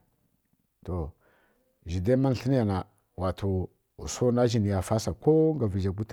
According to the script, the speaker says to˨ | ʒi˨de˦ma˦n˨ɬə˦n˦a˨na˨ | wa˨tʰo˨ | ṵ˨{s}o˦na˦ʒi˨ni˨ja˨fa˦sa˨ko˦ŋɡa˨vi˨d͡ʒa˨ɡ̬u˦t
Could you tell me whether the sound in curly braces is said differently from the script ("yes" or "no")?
no